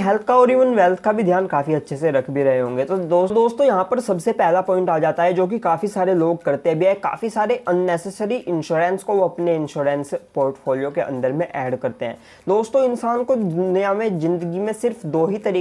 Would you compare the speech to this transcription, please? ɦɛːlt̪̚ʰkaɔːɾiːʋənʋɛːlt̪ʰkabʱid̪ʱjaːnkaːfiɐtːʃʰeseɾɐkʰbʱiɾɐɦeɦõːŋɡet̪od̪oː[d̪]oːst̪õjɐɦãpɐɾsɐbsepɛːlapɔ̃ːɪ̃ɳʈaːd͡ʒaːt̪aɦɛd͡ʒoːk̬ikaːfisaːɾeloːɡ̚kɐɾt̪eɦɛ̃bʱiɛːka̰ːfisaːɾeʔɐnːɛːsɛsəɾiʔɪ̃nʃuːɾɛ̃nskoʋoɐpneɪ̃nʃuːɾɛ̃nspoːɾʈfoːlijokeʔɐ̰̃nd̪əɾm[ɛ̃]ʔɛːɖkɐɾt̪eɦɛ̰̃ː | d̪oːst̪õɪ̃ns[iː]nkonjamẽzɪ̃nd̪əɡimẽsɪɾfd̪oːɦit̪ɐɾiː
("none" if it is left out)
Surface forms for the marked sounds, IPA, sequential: d̪, ẽ, aː

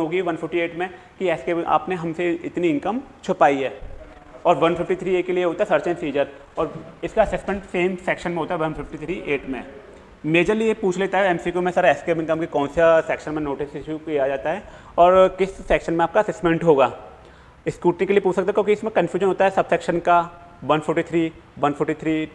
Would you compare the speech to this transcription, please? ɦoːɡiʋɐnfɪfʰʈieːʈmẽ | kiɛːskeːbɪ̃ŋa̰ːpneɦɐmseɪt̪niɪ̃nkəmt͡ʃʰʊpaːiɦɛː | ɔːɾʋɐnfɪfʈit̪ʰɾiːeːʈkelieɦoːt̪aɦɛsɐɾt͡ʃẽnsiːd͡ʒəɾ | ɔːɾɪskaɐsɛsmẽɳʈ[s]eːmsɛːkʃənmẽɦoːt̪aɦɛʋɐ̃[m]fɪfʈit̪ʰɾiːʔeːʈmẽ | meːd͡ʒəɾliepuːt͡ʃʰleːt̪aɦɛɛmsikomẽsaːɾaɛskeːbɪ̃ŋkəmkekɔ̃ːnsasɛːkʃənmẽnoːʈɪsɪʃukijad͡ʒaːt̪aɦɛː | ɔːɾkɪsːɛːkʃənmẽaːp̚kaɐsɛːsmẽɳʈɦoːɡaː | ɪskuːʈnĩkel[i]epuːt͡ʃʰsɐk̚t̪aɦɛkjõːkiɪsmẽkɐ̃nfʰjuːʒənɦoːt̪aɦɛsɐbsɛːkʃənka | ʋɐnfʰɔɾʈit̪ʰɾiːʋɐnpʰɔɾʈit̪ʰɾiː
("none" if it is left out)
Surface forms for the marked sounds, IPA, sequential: s, n, i

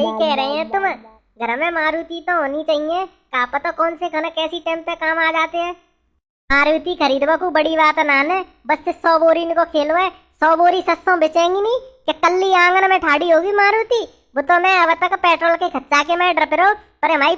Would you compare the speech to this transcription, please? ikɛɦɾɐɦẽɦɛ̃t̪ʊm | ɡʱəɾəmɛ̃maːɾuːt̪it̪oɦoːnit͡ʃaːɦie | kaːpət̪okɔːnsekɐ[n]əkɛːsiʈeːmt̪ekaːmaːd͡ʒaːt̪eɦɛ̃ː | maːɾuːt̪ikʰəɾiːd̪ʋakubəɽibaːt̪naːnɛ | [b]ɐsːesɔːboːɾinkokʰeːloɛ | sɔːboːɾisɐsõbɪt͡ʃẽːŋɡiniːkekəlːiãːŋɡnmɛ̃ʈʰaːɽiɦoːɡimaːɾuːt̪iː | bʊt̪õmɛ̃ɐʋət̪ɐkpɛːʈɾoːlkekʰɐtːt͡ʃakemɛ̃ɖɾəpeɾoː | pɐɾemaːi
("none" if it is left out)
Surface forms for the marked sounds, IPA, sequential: n, b

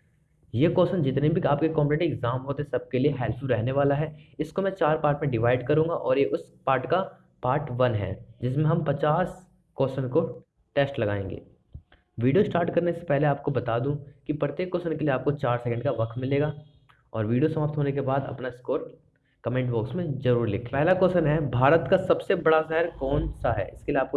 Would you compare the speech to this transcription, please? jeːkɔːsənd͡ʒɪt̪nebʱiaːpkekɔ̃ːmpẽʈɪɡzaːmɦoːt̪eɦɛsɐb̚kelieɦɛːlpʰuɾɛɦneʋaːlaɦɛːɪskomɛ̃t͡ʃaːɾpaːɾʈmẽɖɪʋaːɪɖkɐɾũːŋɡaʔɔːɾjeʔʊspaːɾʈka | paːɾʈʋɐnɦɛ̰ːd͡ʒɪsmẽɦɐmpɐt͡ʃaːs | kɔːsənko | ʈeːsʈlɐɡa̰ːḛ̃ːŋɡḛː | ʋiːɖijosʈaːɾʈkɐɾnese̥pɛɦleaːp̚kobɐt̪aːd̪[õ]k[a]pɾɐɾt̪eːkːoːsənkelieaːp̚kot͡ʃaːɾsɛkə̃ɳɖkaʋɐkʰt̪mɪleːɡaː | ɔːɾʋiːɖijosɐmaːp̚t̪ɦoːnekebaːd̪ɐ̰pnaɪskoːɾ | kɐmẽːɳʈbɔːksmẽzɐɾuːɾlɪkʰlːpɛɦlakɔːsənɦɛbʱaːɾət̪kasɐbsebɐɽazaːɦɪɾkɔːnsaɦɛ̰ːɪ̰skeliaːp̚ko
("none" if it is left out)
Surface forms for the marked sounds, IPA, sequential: ũ, i

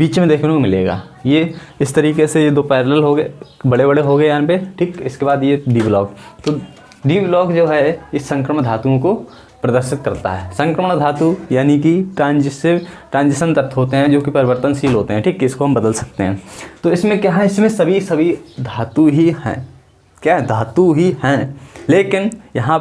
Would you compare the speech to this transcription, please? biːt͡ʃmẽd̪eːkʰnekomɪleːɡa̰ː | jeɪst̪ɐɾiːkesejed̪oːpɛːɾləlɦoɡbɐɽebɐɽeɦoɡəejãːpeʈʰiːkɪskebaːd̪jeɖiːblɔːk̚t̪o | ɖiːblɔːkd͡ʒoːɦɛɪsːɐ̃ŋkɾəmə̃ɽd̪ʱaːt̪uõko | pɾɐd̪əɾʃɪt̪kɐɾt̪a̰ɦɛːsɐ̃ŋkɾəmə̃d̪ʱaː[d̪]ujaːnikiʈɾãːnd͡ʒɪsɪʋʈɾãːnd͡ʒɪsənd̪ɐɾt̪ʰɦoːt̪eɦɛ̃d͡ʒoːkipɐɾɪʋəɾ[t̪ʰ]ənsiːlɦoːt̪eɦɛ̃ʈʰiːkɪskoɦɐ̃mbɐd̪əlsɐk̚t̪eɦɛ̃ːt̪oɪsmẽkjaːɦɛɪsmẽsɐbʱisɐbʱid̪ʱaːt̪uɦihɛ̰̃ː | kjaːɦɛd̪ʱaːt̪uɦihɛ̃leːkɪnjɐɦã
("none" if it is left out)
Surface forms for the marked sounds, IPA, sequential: t̪, t̪

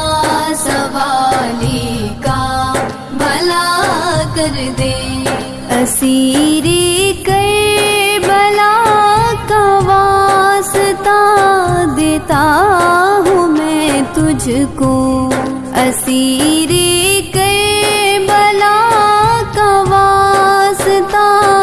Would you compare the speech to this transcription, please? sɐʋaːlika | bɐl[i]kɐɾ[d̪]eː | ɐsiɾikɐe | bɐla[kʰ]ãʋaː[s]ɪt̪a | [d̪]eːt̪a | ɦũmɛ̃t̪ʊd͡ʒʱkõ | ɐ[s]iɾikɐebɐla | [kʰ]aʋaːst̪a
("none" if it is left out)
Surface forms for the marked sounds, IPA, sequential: a, d̪, k, s, d̪, s, k

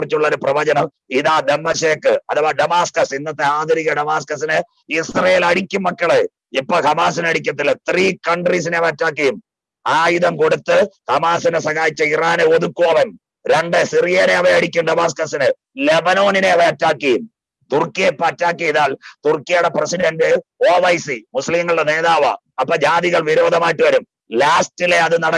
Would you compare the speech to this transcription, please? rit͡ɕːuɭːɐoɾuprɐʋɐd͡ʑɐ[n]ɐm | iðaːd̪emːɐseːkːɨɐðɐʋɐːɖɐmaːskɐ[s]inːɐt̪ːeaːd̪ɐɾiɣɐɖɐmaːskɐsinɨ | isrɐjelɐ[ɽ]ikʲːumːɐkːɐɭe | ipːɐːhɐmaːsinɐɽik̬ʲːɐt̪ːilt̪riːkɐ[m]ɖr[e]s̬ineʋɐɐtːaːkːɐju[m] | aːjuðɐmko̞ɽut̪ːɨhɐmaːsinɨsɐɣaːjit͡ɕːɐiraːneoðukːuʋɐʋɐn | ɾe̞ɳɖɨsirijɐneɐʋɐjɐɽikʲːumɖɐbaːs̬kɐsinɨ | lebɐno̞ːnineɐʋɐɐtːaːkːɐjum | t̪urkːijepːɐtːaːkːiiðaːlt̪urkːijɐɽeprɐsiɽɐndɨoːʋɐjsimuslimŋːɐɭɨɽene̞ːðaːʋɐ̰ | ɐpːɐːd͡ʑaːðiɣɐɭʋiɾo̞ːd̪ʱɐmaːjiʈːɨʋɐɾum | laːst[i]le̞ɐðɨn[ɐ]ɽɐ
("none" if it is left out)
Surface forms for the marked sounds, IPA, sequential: n, s, ɽ, ɳ, i, m, i, ɐ

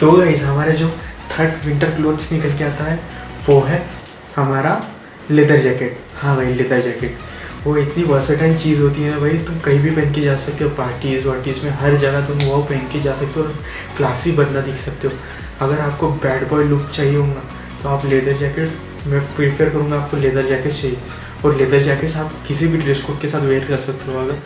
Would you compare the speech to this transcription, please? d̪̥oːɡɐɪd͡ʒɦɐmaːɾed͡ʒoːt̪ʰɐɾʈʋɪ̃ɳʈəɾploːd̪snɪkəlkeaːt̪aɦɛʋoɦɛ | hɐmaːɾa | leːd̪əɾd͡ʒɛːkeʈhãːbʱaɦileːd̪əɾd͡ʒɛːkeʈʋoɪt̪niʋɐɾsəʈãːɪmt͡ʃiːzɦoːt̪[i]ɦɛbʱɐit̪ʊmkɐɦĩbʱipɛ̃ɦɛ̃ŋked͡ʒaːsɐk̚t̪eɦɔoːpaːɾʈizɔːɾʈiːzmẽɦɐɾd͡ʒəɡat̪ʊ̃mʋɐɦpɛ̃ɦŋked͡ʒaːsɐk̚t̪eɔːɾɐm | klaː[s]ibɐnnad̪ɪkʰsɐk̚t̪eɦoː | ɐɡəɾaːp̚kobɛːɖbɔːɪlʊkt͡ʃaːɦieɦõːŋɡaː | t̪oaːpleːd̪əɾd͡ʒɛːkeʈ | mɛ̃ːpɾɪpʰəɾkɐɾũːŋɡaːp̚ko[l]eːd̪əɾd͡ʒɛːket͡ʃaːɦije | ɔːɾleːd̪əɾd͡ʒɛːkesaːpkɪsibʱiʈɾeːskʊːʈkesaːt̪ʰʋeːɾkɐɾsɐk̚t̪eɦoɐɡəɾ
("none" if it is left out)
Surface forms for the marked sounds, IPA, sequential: i, s, l

